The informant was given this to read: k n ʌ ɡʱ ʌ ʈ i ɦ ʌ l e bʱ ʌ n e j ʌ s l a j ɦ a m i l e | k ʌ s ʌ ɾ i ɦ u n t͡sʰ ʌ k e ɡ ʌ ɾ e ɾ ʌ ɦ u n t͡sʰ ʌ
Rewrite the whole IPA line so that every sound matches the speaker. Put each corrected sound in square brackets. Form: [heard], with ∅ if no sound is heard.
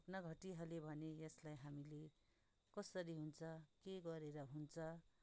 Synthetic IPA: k n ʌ ɡʱ ʌ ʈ i ɦ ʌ l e bʱ ʌ n e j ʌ s l a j ɦ a m i l e | k ʌ s ʌ ɾ i ɦ u n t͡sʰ ʌ k e ɡ ʌ ɾ e ɾ ʌ ɦ u n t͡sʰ ʌ